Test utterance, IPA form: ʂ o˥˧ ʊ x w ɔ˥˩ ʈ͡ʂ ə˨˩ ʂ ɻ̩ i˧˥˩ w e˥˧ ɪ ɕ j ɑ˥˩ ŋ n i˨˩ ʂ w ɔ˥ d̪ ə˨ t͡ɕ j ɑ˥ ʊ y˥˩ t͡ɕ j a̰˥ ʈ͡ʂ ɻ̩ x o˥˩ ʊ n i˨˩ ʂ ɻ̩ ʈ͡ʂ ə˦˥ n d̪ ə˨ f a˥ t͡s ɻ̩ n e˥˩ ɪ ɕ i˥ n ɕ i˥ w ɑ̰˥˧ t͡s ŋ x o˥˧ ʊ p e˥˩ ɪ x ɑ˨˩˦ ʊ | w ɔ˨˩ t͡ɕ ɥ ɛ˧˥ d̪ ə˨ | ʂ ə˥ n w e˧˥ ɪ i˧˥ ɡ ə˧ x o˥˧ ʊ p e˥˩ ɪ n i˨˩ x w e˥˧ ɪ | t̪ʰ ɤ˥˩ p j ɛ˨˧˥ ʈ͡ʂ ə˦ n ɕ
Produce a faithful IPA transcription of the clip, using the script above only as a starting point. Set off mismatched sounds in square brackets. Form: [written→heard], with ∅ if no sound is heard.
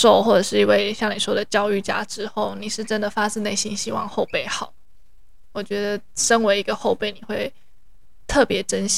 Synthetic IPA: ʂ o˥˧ ʊ x w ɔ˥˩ ʈ͡ʂ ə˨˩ ʂ ɻ̩ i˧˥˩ w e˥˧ ɪ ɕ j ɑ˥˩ ŋ n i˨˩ ʂ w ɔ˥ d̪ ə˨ t͡ɕ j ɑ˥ ʊ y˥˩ t͡ɕ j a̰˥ ʈ͡ʂ ɻ̩ x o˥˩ ʊ n i˨˩ ʂ ɻ̩ ʈ͡ʂ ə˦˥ n d̪ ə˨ f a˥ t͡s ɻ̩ n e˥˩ ɪ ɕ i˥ n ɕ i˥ w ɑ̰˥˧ [t͡s→∅] ŋ x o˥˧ ʊ p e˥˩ ɪ x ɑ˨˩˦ ʊ | w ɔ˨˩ t͡ɕ ɥ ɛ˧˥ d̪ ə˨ | ʂ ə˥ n w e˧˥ ɪ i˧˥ ɡ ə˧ x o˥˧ ʊ p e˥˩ ɪ n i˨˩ x w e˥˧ ɪ | t̪ʰ ɤ˥˩ p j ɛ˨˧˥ ʈ͡ʂ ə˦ n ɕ